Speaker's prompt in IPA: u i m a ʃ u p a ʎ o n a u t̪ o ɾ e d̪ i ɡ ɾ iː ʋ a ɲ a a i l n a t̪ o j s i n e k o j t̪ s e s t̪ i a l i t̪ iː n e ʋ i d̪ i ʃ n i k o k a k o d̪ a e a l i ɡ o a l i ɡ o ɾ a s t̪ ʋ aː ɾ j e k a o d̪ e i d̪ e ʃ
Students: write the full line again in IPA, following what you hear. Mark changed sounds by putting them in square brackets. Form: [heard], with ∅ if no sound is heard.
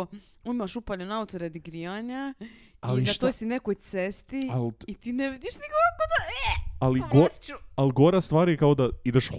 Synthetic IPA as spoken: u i m a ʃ u p a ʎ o n a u t̪ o ɾ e d̪ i ɡ ɾ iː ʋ a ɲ a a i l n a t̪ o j s i n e k o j t̪ s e s t̪ i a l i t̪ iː n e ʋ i d̪ i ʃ n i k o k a k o d̪ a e a l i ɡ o a l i ɡ o ɾ a s t̪ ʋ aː ɾ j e k a o d̪ [a] i d̪ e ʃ